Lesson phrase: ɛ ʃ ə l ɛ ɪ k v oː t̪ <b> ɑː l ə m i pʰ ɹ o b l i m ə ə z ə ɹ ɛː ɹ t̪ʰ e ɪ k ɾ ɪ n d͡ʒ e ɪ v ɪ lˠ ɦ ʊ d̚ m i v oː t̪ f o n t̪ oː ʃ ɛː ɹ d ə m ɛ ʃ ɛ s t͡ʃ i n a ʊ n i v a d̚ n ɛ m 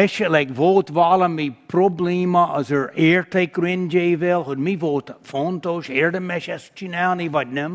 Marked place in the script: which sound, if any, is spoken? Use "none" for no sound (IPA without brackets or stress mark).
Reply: v